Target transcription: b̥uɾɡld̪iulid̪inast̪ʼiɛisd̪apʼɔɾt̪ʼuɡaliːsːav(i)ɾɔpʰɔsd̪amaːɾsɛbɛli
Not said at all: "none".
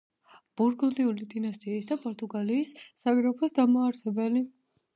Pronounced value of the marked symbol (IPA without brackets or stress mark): i